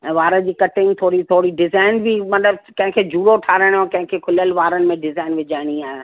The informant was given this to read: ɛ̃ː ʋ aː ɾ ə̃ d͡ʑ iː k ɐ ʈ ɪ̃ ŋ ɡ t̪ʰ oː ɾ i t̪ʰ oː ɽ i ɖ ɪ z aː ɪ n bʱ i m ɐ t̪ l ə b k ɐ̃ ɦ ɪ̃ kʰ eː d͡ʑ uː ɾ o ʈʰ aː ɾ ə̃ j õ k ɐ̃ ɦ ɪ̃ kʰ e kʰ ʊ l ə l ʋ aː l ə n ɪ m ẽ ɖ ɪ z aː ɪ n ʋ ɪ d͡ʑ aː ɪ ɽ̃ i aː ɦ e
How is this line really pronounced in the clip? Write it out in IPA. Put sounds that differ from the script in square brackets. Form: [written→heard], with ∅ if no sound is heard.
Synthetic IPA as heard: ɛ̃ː ʋ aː ɾ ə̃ d͡ʑ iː k ɐ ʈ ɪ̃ ŋ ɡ t̪ʰ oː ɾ i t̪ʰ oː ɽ i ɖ ɪ z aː ɪ n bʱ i m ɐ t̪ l ə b k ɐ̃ ɦ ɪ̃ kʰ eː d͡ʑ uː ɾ o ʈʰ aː ɾ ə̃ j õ k ɐ̃ ɦ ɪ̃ kʰ e kʰ ʊ l ə l ʋ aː [l→ɾ] ə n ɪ m ẽ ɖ ɪ z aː ɪ n ʋ ɪ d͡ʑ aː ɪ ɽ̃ i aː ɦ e

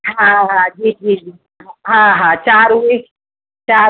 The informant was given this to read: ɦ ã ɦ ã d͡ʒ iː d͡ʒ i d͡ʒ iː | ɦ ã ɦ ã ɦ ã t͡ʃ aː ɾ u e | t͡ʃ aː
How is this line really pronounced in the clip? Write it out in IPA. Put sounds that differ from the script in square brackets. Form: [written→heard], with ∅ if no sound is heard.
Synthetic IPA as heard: ɦ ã ɦ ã d͡ʒ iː d͡ʒ i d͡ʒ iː | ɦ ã ɦ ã ɦ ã t͡ʃ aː ɾ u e | t͡ʃ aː

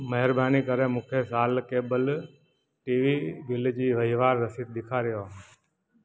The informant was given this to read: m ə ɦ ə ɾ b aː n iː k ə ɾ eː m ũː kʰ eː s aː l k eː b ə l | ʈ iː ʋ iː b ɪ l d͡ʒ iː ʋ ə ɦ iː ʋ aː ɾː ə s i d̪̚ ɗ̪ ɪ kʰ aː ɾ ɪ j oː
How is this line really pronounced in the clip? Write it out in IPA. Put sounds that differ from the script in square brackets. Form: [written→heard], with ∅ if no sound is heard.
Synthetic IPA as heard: m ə ɦ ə ɾ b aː n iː k ə ɾ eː m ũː kʰ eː s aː l k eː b ə l | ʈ iː ʋ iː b ɪ l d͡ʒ iː ʋ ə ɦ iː ʋ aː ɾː ə s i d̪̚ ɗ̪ ɪ kʰ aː ɾ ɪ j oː

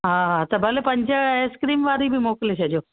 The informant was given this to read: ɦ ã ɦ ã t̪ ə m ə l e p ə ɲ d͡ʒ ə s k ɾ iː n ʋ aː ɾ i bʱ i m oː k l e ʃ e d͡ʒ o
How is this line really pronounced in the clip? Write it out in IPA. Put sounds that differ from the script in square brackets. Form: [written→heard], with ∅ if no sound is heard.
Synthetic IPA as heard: ɦ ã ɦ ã t̪ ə [m→b] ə l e p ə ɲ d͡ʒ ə s k ɾ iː [n→m] ʋ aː ɾ i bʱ i m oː k l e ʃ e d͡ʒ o

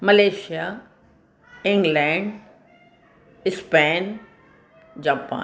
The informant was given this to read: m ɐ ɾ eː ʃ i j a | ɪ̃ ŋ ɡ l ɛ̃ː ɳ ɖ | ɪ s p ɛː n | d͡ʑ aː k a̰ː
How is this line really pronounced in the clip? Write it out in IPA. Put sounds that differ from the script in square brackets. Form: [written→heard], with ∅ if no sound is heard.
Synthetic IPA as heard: m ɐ [ɾ→l] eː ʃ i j a | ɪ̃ ŋ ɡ l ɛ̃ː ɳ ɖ | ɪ s p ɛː n | d͡ʑ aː [k→p] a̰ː

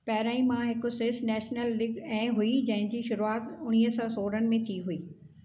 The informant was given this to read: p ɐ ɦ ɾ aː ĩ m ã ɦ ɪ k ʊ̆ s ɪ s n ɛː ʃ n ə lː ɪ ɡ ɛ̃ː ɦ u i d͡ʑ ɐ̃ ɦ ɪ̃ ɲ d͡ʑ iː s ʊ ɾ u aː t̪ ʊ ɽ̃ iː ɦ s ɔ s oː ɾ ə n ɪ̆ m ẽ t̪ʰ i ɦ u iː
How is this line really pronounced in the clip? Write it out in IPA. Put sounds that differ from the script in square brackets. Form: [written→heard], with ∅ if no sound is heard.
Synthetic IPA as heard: p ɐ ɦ ɾ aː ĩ m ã ɦ ɪ k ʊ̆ s ɪ s n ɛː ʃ n ə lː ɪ ɡ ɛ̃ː ɦ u i d͡ʑ ɐ̃ ɦ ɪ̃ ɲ d͡ʑ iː [s→ʃ] ʊ ɾ u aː t̪ ʊ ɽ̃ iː ɦ s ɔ s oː ɾ ə n ɪ̆ m ẽ t̪ʰ i ɦ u iː

